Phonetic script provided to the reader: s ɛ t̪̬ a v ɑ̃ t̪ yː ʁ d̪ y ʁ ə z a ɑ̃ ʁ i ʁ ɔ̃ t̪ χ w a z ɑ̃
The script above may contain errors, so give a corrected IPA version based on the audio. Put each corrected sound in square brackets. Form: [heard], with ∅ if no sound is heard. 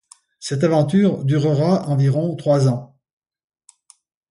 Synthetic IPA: s ɛ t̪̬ a v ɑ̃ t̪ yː ʁ d̪ y ʁ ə [ʁ] a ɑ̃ [v] i ʁ ɔ̃ t̪ χ w a z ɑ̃